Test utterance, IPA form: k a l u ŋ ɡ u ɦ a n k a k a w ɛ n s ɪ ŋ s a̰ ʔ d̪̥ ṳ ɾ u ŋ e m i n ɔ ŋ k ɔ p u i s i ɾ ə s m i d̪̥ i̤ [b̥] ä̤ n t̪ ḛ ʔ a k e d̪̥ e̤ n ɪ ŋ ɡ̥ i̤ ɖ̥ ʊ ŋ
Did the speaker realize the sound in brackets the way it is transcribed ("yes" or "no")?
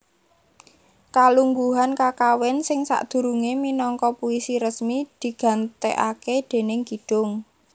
no